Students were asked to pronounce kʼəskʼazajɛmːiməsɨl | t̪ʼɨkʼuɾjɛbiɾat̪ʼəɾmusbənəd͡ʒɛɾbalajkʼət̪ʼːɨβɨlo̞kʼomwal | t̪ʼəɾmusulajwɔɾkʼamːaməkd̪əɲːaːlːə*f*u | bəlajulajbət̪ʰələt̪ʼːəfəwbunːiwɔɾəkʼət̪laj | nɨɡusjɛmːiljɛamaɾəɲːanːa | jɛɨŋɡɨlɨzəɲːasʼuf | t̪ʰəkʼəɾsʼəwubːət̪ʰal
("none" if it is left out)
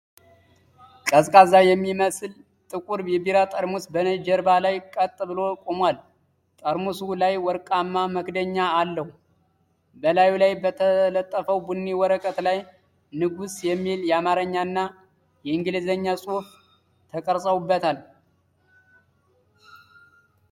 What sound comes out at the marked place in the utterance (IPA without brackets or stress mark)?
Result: h